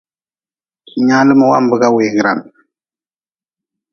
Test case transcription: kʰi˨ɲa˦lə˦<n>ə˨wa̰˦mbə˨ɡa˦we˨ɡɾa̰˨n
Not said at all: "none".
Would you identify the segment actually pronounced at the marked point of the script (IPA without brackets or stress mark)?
m